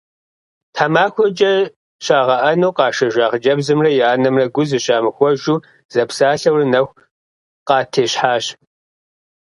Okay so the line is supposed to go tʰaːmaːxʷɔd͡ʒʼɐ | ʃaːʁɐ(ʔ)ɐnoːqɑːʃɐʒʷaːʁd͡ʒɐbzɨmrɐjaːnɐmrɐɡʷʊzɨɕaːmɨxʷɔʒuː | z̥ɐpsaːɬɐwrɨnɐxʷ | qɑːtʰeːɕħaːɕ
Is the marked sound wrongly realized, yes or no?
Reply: no